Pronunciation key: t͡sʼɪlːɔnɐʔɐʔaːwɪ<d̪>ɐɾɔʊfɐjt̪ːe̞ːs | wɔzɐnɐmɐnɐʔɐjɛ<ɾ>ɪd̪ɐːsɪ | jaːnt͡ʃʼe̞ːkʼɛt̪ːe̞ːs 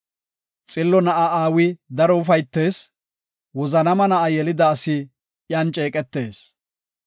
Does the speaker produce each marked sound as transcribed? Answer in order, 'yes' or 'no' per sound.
yes, no

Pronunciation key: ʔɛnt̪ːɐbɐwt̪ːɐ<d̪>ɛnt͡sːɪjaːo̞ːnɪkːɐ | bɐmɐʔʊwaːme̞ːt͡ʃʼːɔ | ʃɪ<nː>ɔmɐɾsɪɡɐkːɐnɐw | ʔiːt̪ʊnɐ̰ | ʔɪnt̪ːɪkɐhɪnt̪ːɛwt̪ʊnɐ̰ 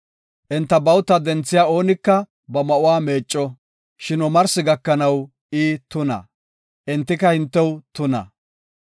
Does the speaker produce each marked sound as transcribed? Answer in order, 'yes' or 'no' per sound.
yes, no

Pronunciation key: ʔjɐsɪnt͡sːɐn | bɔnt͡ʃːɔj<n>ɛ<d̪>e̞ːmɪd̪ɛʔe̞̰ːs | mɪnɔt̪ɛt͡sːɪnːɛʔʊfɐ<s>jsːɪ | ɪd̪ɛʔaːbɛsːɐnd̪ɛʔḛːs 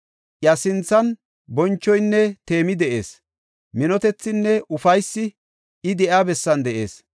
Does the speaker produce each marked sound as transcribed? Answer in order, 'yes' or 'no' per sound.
no, no, no

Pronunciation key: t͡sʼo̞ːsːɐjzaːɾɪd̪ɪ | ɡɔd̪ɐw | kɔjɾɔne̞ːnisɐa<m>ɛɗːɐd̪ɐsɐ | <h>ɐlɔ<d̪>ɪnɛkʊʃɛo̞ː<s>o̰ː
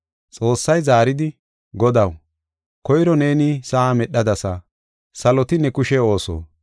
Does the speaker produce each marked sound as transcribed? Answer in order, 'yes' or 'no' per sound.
yes, no, no, yes

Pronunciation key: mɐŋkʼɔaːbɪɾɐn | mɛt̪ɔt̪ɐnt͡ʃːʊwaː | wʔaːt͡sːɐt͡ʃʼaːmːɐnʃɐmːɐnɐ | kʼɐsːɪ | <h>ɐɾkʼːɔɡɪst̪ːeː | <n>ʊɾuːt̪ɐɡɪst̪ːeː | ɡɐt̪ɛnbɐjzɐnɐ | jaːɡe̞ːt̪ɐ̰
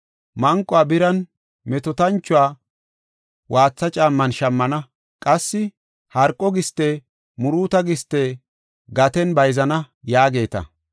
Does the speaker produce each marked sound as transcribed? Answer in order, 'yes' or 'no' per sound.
yes, no

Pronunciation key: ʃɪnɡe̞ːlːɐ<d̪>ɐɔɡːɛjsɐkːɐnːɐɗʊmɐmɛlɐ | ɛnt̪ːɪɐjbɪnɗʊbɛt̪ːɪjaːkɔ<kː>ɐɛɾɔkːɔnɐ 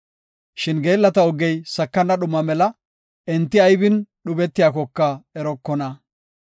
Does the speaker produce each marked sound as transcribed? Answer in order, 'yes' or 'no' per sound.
no, yes

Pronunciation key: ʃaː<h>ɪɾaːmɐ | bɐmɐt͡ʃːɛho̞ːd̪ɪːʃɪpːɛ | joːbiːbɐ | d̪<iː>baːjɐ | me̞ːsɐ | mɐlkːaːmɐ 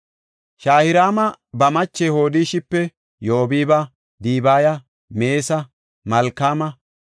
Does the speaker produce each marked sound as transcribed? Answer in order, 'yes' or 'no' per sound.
yes, yes

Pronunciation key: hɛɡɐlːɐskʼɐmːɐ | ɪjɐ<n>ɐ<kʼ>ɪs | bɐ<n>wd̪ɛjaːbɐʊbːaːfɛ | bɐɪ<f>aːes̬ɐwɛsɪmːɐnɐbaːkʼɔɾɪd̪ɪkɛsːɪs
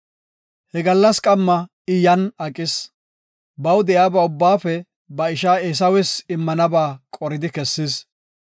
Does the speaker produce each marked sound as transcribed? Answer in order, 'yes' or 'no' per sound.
yes, yes, no, no

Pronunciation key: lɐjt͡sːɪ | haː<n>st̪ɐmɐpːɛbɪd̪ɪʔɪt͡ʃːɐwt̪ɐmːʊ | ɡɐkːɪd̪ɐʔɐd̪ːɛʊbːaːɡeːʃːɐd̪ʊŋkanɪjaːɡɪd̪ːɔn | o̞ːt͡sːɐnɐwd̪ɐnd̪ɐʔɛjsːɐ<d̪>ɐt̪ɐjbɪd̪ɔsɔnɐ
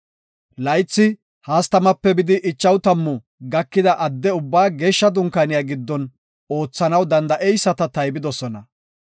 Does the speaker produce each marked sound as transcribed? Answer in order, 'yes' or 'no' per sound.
no, no

